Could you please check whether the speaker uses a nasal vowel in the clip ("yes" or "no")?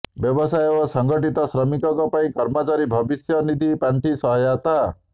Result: yes